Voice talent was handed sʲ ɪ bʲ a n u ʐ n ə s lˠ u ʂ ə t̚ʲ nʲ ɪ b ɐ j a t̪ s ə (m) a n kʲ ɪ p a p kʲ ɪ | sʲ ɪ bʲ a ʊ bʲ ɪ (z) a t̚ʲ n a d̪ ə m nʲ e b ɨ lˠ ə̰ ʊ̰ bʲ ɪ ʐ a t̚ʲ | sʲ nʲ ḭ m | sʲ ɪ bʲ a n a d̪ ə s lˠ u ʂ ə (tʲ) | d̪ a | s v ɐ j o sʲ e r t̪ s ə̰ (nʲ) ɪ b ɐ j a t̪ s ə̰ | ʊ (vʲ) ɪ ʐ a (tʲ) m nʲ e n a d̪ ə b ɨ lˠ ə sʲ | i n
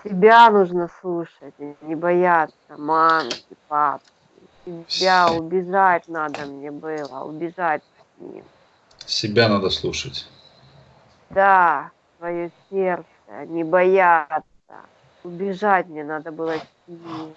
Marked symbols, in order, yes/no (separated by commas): yes, no, yes, yes, no, yes